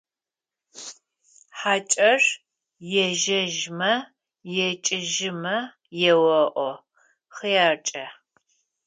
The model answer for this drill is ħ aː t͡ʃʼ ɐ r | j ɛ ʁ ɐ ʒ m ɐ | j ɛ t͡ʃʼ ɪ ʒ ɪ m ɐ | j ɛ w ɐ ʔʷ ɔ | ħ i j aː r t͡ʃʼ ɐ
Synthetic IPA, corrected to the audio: ħ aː t͡ʃʼ ɐ r | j ɛ ʒ ɐ ʒ m ɐ | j ɛ t͡ʃʼ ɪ ʒ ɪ m ɐ | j ɛ w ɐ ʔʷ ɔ | χ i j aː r t͡ʃʼ ɐ